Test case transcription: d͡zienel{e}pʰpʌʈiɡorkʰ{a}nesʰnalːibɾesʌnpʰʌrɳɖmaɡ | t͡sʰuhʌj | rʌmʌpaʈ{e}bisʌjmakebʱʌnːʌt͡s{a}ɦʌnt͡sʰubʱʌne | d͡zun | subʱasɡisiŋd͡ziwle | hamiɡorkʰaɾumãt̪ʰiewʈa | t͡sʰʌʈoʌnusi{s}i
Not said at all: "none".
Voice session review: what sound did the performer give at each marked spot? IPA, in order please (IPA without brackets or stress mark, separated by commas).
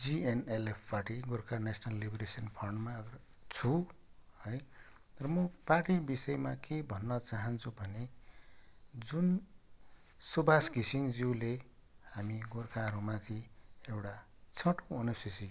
e, a, i, a, s